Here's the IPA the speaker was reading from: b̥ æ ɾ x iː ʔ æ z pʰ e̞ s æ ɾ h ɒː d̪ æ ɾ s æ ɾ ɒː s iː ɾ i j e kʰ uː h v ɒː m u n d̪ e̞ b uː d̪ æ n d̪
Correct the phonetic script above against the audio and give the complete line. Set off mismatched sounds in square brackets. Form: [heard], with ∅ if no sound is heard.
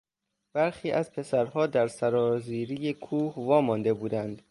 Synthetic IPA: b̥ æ ɾ x iː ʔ æ z pʰ e̞ s æ ɾ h ɒː d̪ æ ɾ s æ ɾ ɒː [z] iː ɾ i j e kʰ uː h v ɒː m [ɒ] n d̪ e̞ b uː d̪ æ n d̪